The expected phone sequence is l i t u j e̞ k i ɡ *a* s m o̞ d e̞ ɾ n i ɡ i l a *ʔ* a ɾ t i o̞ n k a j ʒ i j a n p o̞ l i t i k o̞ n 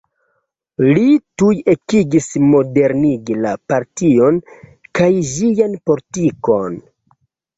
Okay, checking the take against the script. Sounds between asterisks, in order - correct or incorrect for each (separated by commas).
incorrect, incorrect